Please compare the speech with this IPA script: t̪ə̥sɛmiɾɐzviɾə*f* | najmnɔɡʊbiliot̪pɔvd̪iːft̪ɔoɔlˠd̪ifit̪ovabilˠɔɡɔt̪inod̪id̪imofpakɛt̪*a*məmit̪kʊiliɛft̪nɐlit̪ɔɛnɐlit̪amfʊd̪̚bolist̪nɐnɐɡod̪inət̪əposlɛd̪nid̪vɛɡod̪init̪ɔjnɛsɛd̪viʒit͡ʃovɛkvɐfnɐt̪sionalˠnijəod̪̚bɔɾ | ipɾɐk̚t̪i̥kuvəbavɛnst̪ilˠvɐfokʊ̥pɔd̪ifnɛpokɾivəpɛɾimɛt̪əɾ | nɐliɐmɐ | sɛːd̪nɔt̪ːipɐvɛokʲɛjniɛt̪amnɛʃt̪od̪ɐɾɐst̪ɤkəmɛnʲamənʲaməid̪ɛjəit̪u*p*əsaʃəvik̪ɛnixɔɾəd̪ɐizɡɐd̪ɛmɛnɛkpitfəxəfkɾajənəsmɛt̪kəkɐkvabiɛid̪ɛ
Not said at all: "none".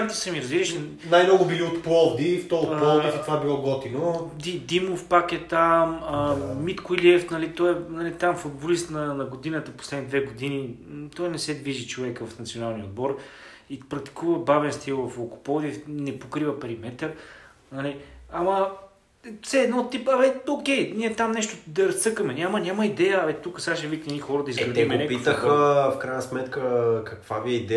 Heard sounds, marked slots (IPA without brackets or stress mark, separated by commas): ʃ, a, k